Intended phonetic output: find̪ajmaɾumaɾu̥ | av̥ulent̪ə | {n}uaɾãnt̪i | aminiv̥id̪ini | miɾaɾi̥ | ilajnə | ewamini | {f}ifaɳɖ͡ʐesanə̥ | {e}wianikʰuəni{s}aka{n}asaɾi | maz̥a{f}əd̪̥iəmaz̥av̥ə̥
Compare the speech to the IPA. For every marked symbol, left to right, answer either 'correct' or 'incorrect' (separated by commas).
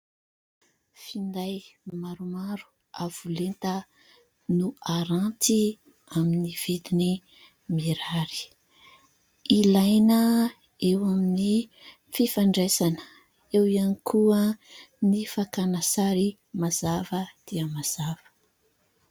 correct, correct, correct, incorrect, correct, incorrect